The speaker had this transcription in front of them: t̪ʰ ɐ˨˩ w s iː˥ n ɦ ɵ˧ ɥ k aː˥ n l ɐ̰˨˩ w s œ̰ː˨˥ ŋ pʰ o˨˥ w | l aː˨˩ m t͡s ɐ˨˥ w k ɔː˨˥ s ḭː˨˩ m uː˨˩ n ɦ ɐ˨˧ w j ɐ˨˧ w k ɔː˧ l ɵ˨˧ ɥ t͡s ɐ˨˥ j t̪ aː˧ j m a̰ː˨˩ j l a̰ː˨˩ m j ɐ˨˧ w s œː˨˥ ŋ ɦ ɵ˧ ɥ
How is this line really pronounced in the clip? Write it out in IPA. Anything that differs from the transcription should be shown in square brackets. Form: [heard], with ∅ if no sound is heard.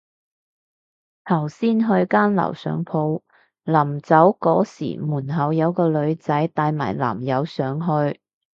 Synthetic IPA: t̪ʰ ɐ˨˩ w s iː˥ n ɦ ɵ˧ ɥ k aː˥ n l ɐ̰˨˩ w s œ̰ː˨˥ ŋ pʰ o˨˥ w | l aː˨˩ m t͡s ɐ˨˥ w k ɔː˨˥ s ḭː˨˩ m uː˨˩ n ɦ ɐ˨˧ w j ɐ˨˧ w k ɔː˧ l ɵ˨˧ ɥ t͡s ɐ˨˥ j t̪ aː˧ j m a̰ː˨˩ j l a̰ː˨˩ m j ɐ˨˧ w s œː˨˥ ŋ ɦ ɵ˧ ɥ